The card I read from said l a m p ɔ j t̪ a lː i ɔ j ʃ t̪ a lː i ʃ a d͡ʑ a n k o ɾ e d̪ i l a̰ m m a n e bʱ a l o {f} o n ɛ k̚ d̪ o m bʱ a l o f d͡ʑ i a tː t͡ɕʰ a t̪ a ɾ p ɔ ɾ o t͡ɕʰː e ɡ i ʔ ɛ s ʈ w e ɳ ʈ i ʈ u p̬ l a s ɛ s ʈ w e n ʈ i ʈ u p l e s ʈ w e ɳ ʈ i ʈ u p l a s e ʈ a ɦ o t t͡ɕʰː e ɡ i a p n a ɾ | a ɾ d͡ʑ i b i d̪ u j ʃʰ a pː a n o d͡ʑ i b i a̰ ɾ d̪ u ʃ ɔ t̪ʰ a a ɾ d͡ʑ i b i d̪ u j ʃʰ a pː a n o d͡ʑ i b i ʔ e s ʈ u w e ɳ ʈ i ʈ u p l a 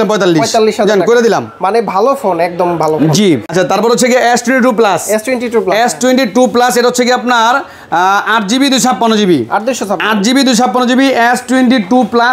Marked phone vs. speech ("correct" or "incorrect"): correct